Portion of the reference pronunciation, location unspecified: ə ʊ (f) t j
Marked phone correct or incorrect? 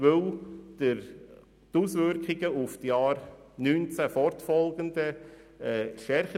correct